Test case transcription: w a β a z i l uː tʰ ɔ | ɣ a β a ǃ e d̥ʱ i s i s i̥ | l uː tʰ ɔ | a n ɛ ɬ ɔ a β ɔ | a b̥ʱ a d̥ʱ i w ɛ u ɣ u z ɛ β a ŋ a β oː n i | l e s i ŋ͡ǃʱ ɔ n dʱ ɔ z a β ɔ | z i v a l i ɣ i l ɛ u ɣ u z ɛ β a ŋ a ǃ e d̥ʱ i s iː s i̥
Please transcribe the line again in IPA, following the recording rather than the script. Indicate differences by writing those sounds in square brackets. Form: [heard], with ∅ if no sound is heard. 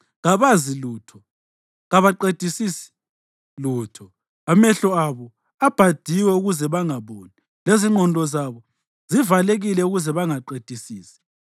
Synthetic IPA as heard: [ɣ] a β a z i l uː tʰ ɔ | ɣ a β a ǃ e d̥ʱ i s i s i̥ | l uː tʰ ɔ | a [m] ɛ ɬ ɔ a β ɔ | a b̥ʱ a d̥ʱ i w ɛ u ɣ u z ɛ β a ŋ a β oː n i | l e [z] i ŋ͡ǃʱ ɔ n dʱ ɔ z a β ɔ | z i v a l [e] ɣ i l ɛ u ɣ u z ɛ β a ŋ a ǃ e d̥ʱ i s iː s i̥